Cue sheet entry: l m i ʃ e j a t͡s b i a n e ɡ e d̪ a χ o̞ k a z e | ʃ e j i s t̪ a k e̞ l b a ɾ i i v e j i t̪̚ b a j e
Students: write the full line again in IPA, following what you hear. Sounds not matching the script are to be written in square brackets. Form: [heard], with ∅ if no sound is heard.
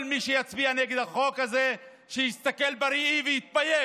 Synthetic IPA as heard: l m i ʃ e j a t͡s b i a n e ɡ e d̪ a χ o̞ k a z e | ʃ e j i s t̪ a k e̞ l b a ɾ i i v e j i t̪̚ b a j e